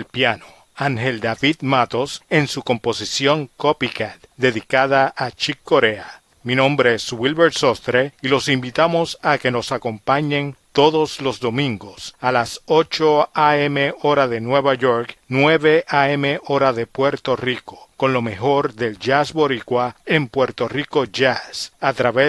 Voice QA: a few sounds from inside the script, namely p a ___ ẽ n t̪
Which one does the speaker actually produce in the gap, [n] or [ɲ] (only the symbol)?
ɲ